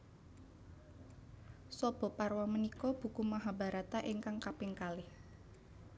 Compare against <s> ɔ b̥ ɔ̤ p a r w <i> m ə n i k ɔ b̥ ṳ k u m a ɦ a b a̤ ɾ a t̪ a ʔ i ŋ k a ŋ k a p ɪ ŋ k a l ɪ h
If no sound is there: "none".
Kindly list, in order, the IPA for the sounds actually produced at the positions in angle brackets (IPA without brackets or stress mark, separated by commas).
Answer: s, a